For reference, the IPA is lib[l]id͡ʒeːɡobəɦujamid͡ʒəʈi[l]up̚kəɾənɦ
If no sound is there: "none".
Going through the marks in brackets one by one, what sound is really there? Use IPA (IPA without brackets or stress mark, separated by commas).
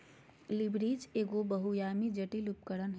ɾ, l